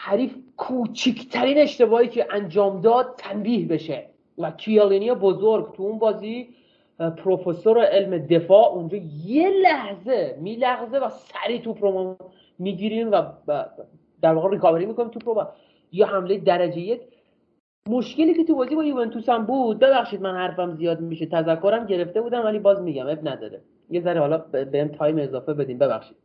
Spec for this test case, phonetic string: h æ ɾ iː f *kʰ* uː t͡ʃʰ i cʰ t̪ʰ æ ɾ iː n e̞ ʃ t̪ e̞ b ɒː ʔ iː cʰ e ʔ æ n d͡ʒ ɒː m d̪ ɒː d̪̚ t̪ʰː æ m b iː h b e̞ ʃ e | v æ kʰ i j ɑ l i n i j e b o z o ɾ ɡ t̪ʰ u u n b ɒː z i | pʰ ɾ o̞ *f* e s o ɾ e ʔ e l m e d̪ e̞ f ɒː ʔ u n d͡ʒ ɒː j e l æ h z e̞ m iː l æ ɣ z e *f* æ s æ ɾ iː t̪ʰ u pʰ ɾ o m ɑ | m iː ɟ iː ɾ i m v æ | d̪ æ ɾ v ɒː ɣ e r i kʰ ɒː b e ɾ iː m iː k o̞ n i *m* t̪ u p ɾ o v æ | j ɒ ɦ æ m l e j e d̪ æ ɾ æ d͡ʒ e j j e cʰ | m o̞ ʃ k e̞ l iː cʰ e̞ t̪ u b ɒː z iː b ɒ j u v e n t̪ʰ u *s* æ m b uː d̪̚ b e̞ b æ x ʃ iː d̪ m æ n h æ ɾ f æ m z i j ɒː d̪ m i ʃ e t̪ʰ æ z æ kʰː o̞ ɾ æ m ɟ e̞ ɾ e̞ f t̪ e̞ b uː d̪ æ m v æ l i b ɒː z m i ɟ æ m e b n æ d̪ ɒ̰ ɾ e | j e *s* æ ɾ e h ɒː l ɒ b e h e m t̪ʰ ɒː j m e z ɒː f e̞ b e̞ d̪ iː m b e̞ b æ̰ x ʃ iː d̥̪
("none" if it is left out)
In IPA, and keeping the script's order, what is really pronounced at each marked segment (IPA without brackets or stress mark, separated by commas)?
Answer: kʰ, f, v, m, s, z